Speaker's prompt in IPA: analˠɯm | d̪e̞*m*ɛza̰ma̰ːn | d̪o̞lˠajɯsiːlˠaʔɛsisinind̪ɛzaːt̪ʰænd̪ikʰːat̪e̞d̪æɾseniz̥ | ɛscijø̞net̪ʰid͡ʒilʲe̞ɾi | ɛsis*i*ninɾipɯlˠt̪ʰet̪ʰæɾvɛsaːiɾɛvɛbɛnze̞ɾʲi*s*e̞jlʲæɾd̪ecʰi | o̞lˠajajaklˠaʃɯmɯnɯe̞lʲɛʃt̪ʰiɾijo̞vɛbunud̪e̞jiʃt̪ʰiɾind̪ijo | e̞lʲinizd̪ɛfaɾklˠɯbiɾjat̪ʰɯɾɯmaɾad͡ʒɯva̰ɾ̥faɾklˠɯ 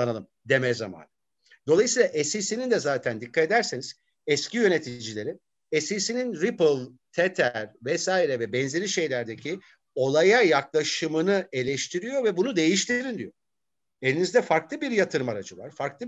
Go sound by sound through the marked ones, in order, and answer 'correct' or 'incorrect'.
correct, correct, incorrect: ʃ

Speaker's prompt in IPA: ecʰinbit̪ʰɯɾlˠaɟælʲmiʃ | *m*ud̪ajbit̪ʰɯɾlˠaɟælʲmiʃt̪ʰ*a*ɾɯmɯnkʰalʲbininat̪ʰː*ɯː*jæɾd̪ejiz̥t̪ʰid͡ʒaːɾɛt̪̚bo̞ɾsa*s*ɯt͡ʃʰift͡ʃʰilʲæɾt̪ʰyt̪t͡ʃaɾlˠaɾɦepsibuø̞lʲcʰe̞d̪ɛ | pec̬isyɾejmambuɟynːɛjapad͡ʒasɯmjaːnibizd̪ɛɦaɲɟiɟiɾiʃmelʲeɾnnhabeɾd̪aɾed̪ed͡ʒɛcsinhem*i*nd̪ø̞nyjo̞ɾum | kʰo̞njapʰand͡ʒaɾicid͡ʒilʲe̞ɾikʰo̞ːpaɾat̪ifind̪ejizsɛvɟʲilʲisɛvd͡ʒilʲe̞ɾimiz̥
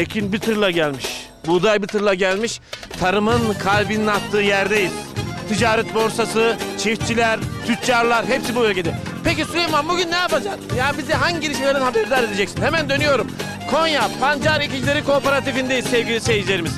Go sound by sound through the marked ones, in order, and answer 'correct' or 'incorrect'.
incorrect: b, correct, correct, correct, incorrect: æ

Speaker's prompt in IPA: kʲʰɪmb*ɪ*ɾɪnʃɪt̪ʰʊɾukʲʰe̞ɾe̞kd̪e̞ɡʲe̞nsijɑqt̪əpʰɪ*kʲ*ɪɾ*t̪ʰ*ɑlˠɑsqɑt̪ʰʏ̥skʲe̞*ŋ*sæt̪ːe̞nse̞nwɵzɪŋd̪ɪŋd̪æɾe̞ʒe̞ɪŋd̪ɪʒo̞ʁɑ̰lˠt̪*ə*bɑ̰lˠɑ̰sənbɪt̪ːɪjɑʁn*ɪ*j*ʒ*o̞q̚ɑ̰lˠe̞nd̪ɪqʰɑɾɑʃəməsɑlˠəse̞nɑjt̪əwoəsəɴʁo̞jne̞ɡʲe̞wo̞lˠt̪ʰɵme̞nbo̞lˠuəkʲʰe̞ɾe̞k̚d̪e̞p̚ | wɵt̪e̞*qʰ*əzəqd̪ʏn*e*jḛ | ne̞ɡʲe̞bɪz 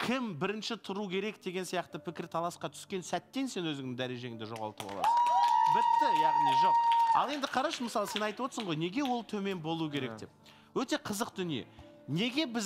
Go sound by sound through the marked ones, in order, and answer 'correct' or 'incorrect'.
correct, correct, correct, incorrect: n, correct, incorrect: i, correct, correct, incorrect: i

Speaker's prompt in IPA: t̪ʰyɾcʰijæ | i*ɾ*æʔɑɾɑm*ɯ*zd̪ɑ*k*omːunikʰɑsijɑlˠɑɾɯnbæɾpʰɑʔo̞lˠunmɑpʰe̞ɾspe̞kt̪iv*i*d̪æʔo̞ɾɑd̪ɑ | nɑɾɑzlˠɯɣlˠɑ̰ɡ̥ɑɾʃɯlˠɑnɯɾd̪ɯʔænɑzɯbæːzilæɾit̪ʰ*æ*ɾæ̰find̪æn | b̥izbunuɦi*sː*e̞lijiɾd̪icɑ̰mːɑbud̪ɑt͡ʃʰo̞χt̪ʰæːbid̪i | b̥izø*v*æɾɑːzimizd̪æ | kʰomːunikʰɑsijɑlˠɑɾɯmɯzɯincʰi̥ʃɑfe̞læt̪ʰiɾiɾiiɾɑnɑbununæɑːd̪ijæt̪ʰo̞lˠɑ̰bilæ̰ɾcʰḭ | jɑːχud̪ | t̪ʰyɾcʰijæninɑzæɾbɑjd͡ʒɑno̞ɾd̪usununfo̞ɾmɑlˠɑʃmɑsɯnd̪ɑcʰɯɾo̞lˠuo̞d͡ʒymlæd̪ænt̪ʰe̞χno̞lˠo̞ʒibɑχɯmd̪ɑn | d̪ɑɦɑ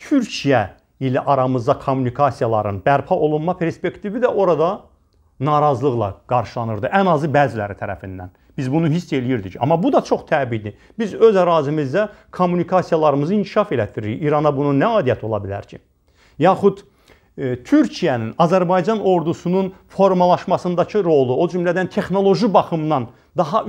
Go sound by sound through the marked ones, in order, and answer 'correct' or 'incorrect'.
incorrect: l, correct, incorrect: kʰ, correct, correct, correct, incorrect: z

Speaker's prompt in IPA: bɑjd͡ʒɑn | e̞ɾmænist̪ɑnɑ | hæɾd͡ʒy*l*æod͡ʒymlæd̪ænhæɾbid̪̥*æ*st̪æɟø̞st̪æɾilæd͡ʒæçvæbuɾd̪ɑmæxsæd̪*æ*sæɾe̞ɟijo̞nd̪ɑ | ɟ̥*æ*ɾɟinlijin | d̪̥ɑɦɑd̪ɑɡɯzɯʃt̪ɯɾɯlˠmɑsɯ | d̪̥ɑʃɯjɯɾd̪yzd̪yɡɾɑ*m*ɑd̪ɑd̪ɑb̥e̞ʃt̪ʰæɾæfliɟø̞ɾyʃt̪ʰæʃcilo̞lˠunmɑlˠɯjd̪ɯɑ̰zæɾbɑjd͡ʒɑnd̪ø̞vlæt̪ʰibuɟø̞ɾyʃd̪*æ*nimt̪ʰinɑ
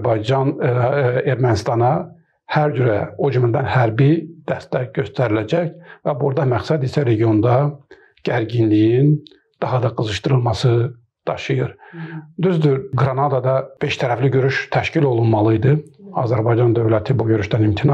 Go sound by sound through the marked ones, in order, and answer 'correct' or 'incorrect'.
incorrect: ɾ, correct, incorrect: i, correct, incorrect: n, correct

